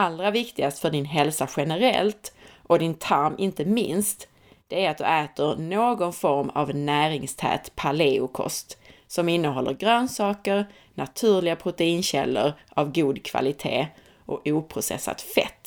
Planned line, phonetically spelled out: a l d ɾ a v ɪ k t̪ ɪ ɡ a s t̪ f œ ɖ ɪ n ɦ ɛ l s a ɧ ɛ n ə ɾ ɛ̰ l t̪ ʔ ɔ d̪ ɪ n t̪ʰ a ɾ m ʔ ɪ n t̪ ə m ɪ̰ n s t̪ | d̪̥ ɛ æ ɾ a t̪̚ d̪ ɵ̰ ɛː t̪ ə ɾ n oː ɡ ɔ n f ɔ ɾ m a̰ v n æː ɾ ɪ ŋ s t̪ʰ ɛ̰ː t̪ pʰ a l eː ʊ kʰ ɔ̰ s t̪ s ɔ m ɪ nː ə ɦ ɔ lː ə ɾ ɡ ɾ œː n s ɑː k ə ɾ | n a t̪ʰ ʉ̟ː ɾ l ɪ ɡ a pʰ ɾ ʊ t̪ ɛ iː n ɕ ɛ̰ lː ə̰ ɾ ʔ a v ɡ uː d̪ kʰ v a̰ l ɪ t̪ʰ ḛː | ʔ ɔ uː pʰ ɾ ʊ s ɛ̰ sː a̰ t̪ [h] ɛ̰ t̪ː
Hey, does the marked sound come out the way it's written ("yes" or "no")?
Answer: no